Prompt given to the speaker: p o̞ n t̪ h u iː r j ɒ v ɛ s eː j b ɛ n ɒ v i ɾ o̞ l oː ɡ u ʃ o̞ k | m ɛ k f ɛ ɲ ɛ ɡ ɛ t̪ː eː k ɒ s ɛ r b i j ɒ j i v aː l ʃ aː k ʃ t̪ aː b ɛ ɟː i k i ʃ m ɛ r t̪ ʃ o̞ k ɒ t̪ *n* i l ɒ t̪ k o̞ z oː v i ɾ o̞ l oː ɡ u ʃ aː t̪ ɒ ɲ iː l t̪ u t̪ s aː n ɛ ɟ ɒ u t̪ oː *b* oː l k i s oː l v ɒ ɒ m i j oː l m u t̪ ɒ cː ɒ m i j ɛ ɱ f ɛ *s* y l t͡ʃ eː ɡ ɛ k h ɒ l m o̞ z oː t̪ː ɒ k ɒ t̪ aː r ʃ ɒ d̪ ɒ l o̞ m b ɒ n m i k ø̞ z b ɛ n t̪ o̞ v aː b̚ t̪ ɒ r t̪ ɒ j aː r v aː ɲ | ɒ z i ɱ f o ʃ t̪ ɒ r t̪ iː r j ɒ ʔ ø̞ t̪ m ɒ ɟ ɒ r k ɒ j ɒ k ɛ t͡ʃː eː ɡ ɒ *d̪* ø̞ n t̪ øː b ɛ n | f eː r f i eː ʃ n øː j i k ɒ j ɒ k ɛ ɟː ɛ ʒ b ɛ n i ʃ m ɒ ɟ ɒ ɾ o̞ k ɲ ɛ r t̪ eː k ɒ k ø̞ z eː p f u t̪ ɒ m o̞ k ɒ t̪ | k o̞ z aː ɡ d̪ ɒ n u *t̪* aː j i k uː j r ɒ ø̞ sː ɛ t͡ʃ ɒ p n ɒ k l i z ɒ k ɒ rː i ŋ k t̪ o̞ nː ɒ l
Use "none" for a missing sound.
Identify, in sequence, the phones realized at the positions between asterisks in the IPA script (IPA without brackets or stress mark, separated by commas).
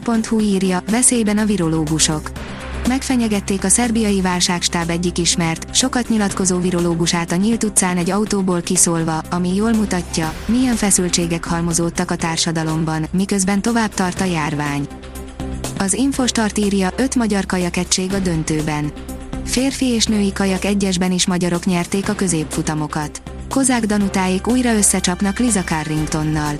ɲ, b, s, d̪, t̪